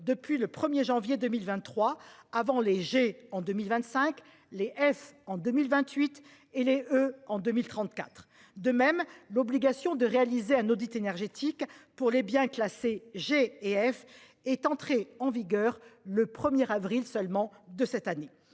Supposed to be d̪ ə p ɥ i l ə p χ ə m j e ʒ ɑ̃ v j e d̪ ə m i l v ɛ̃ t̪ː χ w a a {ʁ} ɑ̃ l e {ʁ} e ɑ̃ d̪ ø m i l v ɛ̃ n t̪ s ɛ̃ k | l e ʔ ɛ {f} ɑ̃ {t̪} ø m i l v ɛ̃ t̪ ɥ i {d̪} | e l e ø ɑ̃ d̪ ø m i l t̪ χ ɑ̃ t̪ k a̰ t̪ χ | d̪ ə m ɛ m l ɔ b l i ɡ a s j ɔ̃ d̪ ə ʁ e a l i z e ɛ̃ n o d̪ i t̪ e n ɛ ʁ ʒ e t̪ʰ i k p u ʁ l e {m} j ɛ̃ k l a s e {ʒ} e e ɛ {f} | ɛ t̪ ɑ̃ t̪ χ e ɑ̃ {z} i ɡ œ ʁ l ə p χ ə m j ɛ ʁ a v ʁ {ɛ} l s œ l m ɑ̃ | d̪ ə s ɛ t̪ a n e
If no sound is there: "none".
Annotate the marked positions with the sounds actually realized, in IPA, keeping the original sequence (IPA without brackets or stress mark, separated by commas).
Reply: v, ʒ, f, d̪, t̪, b, ʒ, f, v, i